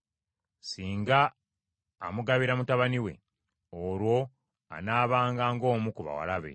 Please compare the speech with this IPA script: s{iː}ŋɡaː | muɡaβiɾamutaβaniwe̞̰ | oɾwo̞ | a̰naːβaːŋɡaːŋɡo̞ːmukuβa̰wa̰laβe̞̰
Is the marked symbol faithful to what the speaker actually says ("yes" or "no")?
yes